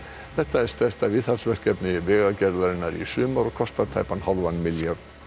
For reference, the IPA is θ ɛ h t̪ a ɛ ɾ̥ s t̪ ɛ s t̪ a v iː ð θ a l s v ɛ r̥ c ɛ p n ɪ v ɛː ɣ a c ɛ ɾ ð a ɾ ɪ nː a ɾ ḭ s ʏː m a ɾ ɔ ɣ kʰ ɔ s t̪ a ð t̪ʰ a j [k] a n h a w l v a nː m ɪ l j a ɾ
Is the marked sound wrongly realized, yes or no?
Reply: yes